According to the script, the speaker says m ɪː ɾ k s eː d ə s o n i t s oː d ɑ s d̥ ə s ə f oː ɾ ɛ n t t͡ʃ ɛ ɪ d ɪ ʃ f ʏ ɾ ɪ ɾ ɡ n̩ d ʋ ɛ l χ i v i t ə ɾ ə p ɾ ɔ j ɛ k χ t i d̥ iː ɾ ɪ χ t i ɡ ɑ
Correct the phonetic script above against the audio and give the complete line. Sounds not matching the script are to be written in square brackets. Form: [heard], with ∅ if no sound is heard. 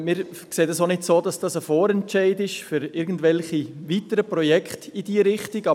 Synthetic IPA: m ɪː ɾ k s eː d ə s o n [ɪ] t s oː d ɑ s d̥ [ɑ] s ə f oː ɾ ɛ n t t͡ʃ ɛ ɪ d ɪ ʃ f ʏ ɾ ɪ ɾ ɡ n̩ d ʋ ɛ l χ i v i t ə ɾ ə p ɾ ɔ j ɛ k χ t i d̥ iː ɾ ɪ χ t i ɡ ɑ